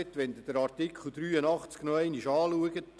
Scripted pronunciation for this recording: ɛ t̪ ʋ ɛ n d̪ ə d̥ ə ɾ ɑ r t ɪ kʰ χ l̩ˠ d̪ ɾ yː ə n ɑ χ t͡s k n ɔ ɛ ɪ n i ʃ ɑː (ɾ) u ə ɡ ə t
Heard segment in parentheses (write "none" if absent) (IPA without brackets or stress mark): l